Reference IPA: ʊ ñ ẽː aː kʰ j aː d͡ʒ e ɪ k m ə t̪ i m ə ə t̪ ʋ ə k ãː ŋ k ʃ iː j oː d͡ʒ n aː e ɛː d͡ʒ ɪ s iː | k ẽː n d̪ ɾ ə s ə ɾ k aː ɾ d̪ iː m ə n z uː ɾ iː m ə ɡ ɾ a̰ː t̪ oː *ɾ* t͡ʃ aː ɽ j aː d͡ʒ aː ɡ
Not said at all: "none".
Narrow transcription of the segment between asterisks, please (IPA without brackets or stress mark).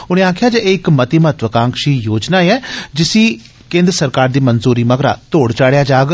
ɽ